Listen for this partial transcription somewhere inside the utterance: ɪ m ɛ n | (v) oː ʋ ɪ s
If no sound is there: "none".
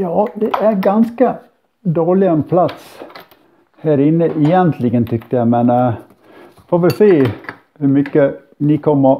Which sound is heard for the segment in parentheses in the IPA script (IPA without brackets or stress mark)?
f